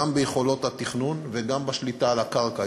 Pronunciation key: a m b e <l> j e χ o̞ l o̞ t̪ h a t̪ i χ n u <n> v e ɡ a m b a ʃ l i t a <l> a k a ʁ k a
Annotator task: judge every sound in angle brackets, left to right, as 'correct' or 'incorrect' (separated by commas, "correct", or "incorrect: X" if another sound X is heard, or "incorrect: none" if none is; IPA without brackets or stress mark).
incorrect: none, correct, correct